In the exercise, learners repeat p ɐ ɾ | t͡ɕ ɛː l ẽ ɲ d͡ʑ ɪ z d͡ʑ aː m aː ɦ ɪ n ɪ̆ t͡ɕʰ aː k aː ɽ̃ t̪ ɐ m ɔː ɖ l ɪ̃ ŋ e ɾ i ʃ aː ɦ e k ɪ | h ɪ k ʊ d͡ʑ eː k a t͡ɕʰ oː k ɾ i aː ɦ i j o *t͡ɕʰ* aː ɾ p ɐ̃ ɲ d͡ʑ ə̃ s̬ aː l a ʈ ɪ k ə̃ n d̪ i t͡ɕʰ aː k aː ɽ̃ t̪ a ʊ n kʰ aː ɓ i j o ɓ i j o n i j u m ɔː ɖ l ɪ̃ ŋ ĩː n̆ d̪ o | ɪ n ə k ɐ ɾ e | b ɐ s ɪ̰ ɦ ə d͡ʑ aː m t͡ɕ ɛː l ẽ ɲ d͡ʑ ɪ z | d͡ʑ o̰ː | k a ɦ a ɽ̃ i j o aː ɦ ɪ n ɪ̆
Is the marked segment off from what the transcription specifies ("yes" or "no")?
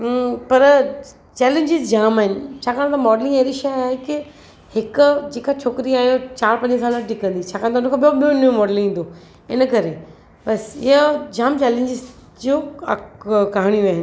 yes